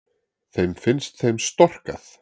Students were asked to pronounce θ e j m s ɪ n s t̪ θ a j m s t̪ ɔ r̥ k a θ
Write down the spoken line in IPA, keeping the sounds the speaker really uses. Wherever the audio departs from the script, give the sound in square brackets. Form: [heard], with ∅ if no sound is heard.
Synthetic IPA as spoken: θ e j m [f] ɪ n s t̪ θ [e] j m s t̪ ɔ r̥ k a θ